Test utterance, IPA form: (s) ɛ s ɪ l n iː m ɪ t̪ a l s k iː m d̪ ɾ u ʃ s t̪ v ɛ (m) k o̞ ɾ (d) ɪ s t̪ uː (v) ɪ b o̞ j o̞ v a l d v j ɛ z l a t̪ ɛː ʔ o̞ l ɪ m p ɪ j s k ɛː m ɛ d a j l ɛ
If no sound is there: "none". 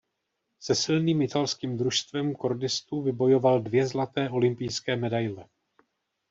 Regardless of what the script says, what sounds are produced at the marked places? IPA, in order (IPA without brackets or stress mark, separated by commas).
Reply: s, m, d, v